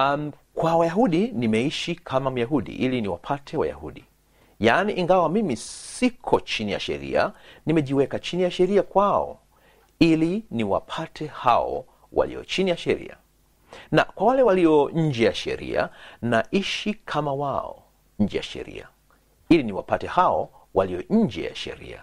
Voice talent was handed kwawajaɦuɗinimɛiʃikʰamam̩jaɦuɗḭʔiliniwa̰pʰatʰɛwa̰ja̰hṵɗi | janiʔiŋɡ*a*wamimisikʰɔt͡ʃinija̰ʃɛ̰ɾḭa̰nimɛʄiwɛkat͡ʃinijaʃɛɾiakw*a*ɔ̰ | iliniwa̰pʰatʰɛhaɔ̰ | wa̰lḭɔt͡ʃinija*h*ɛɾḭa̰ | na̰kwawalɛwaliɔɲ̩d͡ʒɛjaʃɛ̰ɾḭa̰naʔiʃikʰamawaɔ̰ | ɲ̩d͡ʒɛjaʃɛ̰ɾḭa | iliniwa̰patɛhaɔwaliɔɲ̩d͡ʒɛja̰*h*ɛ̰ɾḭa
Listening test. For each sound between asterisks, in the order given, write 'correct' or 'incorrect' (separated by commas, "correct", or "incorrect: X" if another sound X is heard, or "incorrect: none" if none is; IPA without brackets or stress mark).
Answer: correct, correct, incorrect: ʃ, incorrect: ʃ